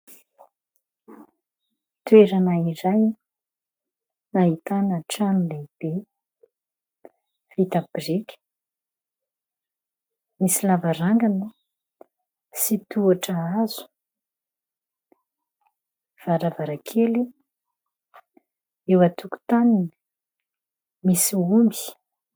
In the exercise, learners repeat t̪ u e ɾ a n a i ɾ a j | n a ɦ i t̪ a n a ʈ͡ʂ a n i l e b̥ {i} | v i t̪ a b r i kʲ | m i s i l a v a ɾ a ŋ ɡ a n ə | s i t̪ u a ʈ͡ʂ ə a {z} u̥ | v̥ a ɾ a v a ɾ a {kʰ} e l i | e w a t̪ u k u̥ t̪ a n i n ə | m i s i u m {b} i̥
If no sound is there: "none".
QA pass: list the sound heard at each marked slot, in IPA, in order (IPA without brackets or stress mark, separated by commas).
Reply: e, z, kʰ, b